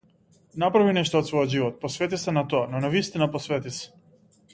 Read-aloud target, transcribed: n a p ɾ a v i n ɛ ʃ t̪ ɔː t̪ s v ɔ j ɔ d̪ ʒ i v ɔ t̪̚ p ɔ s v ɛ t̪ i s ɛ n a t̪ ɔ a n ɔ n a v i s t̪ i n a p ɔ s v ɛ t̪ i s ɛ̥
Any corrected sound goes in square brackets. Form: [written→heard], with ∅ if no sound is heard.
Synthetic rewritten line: n a p ɾ a v i n ɛ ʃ t̪ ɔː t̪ s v ɔ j ɔ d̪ ʒ i v ɔ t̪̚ p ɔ s v ɛ t̪ i s ɛ n a t̪ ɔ a n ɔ n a v i s t̪ i n a p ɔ s v ɛ t̪ i s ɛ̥